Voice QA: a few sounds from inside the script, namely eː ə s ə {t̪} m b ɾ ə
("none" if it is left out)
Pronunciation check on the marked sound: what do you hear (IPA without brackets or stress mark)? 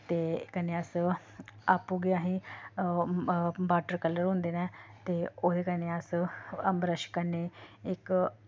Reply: none